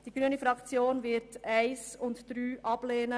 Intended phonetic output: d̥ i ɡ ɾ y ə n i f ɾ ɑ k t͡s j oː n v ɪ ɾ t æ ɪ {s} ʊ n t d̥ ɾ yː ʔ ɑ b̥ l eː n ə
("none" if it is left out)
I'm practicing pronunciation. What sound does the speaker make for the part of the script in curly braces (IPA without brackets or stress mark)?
s